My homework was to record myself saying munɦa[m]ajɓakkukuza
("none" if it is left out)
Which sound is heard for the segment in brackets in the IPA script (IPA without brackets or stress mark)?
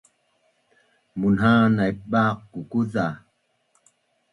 n